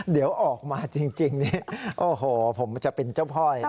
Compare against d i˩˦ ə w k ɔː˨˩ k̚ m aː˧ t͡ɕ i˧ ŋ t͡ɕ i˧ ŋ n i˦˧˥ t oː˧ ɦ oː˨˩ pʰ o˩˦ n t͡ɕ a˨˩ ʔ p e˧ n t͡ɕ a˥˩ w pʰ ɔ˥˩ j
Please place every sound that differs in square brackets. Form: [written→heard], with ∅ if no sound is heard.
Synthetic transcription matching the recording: d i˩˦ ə w [k→ʔ] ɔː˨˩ k̚ m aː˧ t͡ɕ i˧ ŋ t͡ɕ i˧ ŋ n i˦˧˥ [t→ʔ] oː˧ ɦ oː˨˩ pʰ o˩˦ [n→m] t͡ɕ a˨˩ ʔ p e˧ n t͡ɕ a˥˩ w pʰ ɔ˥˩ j